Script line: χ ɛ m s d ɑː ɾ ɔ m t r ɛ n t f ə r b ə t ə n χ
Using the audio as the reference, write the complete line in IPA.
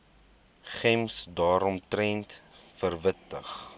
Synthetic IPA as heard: χ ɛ m s d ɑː ɾ ɔ m t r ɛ n t f ə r v ə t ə χ